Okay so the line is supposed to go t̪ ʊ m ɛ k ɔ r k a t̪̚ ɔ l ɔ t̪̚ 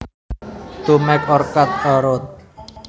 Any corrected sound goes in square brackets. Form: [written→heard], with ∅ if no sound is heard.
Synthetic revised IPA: t̪ [ʊ→u] m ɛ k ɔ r k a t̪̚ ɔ [l→ɾ] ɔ t̪̚